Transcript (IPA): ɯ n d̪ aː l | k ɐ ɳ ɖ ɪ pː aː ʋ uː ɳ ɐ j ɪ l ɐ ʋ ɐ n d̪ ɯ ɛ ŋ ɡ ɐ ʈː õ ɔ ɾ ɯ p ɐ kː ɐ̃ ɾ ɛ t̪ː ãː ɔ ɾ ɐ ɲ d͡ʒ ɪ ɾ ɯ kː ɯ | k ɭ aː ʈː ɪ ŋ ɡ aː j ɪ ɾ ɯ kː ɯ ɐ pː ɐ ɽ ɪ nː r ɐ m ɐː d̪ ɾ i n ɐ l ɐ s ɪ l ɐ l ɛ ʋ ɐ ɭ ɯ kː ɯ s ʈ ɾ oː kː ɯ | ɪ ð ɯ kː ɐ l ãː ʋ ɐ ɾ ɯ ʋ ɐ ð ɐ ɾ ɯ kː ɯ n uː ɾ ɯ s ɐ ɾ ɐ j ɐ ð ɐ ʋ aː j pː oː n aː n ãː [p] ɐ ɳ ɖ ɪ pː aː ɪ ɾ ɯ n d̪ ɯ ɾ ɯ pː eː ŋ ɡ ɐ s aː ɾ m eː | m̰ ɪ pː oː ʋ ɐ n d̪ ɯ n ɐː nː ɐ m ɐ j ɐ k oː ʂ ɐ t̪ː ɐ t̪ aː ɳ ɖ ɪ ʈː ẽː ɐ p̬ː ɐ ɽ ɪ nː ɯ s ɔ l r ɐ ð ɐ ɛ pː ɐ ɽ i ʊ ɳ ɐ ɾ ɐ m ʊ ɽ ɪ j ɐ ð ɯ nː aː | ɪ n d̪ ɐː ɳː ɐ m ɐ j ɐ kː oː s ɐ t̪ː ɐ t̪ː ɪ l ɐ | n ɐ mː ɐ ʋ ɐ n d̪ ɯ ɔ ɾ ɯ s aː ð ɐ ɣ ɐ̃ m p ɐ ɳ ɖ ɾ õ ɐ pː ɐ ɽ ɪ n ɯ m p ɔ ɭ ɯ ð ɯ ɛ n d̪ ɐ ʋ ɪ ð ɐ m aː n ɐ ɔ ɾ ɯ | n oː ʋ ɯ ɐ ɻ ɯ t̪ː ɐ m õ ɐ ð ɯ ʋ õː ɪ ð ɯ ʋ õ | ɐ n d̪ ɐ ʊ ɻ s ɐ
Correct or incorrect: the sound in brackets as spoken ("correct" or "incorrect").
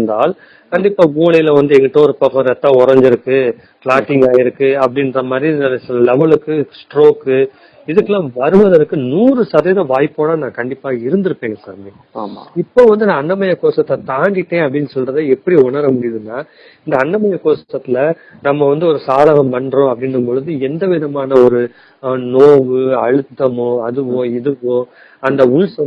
incorrect